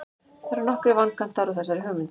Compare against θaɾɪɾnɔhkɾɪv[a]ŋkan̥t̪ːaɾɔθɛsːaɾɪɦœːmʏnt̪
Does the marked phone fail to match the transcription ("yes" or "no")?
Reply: no